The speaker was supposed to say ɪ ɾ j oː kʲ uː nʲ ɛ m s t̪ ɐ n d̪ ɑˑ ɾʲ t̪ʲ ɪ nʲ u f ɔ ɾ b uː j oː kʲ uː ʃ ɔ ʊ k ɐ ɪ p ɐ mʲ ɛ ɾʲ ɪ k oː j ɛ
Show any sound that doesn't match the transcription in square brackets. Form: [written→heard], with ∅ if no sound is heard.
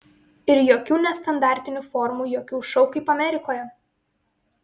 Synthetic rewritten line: ɪ ɾ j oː kʲ uː nʲ ɛ [m→∅] s t̪ ɐ n d̪ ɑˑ ɾʲ t̪ʲ ɪ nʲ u f ɔ ɾ [b→m] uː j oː kʲ uː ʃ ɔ ʊ k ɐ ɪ p ɐ mʲ ɛ ɾʲ ɪ k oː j ɛ